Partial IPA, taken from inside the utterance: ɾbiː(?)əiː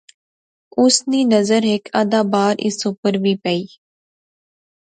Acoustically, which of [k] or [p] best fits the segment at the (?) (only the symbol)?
p